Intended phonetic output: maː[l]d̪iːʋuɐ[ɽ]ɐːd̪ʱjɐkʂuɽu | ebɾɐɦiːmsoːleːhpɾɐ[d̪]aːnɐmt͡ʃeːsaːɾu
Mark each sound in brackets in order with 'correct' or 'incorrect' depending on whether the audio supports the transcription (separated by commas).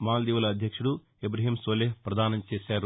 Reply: correct, incorrect, correct